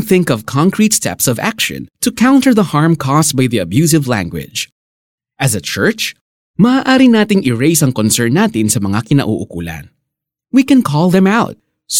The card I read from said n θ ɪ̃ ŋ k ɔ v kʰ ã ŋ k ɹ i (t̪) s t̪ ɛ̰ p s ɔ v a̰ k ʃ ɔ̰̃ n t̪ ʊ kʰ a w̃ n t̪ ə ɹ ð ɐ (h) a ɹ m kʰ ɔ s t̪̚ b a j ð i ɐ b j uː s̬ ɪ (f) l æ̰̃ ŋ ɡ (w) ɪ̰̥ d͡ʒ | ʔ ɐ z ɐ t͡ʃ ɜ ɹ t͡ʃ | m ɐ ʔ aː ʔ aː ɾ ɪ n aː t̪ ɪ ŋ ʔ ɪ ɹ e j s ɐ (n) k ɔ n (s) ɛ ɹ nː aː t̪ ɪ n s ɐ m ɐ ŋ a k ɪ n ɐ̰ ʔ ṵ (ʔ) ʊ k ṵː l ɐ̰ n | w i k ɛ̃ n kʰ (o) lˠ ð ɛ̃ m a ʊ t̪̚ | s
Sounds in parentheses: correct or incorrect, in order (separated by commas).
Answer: correct, correct, incorrect, correct, incorrect, correct, correct, incorrect